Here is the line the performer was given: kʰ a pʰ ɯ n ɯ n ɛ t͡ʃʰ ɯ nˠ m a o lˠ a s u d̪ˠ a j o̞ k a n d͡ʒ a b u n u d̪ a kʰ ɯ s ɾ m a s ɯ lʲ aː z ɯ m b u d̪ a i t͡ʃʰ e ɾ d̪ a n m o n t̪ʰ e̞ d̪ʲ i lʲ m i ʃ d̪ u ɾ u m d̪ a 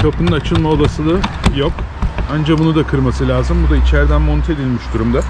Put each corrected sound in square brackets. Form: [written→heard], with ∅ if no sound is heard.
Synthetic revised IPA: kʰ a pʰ ɯ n ɯ n [ɛ→a] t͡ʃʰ ɯ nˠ m a o lˠ a s [u→ɯ] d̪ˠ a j o̞ k a n d͡ʒ a b u n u d̪ a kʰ ɯ [s→∅] ɾ m a s ɯ lʲ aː z ɯ m b u d̪ a i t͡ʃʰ [e→æ] ɾ d̪ [a→æ] n m o n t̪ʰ e̞ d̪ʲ i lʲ m i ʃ d̪ u ɾ u m d̪ a

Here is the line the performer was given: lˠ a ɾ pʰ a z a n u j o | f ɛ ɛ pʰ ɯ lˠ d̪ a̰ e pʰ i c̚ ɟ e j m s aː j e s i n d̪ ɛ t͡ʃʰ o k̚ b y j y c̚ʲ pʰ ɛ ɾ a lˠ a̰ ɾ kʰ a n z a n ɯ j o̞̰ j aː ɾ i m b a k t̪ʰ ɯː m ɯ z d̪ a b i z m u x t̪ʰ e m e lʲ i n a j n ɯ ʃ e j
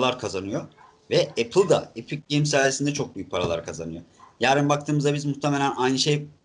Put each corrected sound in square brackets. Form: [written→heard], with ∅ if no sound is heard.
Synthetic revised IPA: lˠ a ɾ [pʰ→kʰ] a z a n [u→ɯ] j o | [f→v] ɛ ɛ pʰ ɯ lˠ d̪ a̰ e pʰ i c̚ ɟ e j m s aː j e s i n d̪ ɛ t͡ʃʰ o k̚ b y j y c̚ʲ pʰ [ɛ→a] ɾ a lˠ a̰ ɾ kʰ a [n→∅] z a n ɯ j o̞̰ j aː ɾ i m b a k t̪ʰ ɯː m ɯ z d̪ a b i z m u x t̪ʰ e m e lʲ [i→æ] n a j n ɯ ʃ e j

